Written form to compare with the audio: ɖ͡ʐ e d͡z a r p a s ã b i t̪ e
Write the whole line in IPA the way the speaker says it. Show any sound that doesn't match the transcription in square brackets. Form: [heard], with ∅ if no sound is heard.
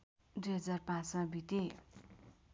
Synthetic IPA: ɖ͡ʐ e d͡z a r p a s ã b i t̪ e